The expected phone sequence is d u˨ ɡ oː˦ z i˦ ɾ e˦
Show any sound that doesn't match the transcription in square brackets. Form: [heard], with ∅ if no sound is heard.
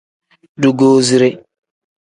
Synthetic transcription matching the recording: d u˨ ɡ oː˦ z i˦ ɾ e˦